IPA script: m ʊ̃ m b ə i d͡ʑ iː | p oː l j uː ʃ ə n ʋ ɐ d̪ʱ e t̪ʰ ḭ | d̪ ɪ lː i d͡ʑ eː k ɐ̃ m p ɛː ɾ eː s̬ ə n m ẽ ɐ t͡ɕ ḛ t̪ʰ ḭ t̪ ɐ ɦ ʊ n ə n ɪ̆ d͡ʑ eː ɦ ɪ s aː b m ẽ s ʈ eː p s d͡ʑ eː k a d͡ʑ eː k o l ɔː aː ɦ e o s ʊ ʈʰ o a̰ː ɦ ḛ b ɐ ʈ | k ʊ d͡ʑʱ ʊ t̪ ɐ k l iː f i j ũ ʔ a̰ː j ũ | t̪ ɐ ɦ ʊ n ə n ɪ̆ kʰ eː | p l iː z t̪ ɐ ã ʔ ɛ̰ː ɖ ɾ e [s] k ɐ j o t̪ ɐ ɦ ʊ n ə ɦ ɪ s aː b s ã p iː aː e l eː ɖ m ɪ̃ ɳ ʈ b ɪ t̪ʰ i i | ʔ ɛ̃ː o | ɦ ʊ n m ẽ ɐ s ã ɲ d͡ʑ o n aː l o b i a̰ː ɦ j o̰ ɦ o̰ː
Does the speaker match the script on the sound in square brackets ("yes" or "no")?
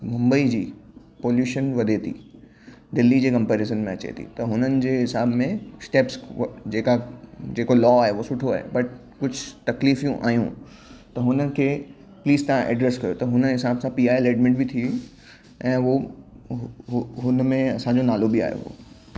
yes